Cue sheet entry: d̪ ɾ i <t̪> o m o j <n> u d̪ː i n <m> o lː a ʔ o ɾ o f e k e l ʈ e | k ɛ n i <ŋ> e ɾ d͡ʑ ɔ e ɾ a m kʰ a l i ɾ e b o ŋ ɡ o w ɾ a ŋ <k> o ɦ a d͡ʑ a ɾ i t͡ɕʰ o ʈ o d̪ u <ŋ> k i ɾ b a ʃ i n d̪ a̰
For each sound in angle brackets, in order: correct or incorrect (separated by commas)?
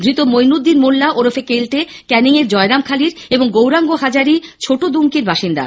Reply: correct, correct, correct, correct, incorrect, correct